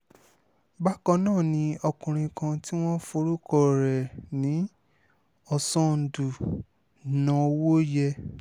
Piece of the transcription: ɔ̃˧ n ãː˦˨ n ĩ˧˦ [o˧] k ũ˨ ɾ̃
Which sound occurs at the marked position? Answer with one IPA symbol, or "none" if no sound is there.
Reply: ɔ˧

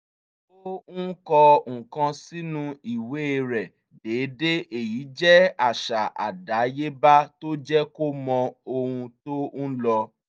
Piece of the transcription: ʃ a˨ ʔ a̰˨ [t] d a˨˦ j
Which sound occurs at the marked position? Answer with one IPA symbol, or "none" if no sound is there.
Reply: none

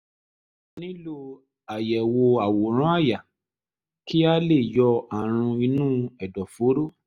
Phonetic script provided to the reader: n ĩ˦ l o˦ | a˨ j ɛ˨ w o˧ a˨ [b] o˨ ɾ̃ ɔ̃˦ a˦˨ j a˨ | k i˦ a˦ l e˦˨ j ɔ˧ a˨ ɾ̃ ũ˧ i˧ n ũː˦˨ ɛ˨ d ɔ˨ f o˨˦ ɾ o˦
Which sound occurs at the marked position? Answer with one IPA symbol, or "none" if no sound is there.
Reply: w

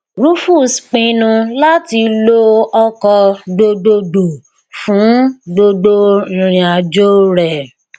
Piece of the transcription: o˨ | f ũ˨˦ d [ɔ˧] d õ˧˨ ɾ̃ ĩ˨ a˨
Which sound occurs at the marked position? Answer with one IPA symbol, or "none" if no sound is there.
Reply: o˧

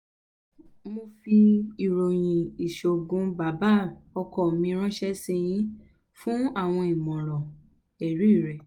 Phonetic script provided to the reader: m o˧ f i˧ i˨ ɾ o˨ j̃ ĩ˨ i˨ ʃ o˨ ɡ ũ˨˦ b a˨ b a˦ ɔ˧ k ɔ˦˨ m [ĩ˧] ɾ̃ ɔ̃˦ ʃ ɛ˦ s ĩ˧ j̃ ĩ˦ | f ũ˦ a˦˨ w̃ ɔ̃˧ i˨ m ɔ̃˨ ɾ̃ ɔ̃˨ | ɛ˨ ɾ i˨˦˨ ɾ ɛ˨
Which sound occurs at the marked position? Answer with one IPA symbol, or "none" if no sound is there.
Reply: ĩ˧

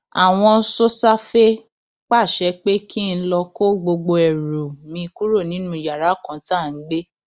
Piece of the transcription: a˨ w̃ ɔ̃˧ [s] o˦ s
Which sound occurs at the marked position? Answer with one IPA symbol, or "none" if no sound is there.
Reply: s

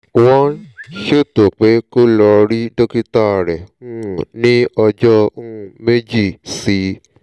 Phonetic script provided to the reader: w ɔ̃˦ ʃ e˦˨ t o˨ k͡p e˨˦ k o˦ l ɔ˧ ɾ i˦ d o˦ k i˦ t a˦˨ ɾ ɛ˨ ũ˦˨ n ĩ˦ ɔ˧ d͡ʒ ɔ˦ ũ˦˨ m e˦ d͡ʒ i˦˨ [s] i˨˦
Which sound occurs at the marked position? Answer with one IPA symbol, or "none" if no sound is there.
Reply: s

